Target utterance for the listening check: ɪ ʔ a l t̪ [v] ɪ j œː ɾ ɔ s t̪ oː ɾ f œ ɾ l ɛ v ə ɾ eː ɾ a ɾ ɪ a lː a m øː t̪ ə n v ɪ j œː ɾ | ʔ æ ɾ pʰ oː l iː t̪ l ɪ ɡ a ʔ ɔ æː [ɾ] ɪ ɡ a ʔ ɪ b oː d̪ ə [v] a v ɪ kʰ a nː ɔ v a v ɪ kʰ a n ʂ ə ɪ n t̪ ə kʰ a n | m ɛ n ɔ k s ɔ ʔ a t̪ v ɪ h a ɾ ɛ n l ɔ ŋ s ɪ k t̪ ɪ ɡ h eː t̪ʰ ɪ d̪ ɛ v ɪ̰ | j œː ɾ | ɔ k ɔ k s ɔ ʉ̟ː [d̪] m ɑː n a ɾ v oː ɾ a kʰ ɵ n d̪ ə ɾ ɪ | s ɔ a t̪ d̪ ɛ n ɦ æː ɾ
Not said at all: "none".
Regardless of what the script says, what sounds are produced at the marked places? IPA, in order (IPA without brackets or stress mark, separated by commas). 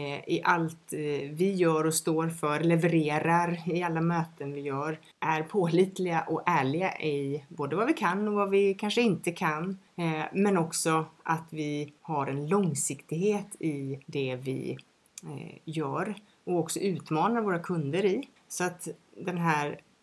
v, ɭ, v, t̪